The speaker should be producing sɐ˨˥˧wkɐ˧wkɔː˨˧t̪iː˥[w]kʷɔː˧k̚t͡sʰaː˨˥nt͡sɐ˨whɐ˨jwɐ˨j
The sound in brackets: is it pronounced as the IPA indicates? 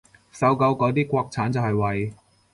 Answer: no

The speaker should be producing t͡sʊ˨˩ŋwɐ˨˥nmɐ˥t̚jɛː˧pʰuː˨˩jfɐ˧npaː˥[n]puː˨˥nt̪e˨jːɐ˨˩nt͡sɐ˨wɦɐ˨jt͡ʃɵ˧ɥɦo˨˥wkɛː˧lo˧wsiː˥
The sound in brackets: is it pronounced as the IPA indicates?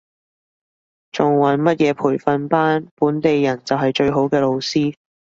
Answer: yes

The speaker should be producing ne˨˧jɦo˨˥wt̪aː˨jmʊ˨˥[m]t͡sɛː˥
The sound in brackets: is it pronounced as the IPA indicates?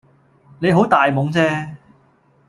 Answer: no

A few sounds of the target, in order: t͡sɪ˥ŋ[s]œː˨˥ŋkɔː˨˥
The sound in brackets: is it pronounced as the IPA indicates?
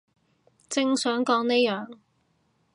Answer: yes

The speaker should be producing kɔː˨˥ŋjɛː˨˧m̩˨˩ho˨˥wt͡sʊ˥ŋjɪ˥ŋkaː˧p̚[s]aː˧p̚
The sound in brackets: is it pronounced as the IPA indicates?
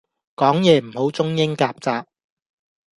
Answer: no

